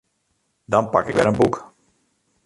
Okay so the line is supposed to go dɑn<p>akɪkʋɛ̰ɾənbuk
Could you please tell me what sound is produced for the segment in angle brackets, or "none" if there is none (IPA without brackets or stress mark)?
p